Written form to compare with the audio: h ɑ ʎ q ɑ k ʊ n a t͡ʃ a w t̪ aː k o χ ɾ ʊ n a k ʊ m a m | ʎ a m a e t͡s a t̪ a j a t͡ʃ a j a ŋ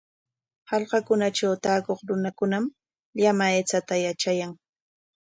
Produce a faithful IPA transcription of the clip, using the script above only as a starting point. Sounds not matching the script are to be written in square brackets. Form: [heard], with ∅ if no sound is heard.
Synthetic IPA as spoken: h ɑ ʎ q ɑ k ʊ n a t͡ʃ a w t̪ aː k o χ ɾ ʊ n a k ʊ [n] a m | ʎ a m a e t͡s a t̪ a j a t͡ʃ a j a ŋ